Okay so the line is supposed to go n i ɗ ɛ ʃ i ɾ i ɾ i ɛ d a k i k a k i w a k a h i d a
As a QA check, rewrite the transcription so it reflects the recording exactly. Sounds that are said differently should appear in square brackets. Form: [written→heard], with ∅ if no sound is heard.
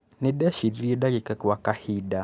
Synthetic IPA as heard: n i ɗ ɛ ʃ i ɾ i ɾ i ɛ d a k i k a k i w a k a h i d a